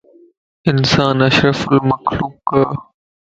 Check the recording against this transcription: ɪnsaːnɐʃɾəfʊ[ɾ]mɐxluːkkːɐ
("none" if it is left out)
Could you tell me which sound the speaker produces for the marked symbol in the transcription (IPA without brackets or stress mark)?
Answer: l